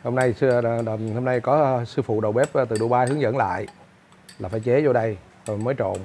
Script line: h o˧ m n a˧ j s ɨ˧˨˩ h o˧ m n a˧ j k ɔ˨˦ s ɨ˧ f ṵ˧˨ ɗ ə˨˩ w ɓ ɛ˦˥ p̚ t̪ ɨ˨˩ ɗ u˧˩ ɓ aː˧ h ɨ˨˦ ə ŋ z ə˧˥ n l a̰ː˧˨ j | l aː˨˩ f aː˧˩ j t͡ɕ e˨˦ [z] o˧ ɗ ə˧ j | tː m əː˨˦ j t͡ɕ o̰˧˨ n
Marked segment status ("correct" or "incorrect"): correct